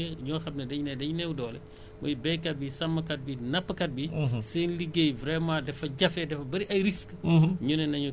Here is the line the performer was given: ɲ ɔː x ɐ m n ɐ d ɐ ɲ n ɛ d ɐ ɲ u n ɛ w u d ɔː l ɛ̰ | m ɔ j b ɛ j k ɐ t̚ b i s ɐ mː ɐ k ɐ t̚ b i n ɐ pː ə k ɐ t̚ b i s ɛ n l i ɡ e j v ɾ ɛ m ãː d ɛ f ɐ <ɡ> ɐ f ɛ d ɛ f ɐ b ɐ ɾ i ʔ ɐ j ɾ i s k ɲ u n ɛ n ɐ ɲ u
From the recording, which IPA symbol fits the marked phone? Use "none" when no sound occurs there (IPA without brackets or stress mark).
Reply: ɟ